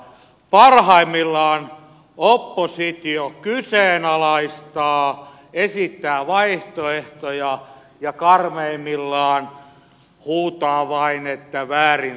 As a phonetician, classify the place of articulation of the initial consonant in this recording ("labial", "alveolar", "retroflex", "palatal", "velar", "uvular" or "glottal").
labial